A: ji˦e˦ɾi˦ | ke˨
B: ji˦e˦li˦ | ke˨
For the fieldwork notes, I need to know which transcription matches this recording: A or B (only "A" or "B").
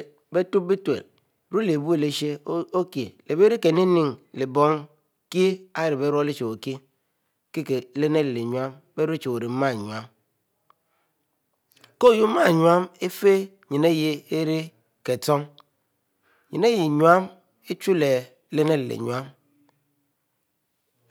A